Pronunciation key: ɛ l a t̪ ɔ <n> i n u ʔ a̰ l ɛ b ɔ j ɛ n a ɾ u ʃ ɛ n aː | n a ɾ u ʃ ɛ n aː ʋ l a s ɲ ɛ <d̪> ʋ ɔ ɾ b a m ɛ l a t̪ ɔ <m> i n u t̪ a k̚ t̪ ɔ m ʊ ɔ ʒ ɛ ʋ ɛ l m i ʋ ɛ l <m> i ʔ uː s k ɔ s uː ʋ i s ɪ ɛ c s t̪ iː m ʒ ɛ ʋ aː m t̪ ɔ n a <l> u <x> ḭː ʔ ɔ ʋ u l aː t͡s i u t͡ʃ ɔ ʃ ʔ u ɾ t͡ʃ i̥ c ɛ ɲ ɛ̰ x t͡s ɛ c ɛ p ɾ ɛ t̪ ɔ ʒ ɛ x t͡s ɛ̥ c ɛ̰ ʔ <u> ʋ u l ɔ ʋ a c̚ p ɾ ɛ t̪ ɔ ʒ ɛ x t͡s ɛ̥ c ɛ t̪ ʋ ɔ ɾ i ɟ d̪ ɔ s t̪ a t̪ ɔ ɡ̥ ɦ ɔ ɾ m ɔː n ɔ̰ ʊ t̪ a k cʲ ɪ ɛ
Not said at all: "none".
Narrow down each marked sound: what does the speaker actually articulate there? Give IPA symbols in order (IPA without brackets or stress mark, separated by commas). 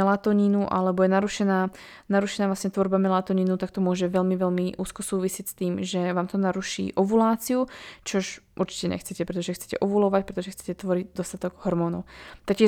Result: ɲ, t̪, ɲ, m, ɾ, ʃ, ɔ